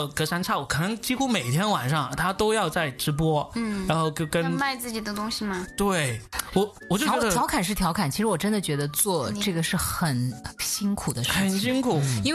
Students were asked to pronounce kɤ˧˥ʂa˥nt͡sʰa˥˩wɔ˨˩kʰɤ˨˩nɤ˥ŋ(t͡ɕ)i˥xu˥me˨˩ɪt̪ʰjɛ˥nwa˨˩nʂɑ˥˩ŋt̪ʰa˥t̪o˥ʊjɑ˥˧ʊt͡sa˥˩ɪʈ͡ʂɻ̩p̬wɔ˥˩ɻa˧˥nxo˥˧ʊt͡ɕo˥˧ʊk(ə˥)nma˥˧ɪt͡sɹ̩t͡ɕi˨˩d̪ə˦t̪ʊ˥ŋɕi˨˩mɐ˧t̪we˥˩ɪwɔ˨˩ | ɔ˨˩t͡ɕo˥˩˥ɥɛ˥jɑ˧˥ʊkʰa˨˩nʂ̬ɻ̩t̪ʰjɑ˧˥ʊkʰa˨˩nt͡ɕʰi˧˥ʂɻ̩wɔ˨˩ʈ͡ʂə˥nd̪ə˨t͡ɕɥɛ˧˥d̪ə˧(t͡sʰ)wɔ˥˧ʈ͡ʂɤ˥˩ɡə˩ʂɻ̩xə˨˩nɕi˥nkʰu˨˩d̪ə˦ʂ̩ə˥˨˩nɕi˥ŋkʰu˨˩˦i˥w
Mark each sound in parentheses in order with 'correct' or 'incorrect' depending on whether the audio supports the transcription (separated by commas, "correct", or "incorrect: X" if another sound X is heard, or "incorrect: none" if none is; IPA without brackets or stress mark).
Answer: correct, correct, incorrect: t͡s